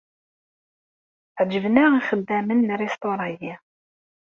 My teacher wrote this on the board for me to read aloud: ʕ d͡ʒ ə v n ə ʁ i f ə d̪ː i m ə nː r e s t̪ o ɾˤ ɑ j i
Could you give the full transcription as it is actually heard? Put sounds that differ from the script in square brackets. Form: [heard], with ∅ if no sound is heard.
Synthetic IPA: ʕ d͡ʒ ə v n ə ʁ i [χ] ə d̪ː [æ] m ə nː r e s t̪ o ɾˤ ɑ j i